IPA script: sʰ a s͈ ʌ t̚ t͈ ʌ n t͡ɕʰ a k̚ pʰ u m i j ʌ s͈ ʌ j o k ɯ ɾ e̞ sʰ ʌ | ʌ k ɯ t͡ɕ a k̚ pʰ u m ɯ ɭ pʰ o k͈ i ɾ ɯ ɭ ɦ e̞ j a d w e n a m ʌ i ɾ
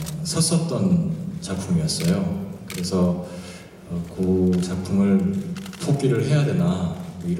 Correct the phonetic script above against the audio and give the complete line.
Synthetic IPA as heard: sʰ ʌ s͈ ʌ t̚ t͈ ʌ n t͡ɕ a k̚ pʰ u m i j ʌ s͈ ʌ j o k ɯ ɾ e̞ sʰ ʌ | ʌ k ɯ t͡ɕ a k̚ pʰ u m ɯ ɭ pʰ o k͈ i ɾ ɯ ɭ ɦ e̞ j a d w e n a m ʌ i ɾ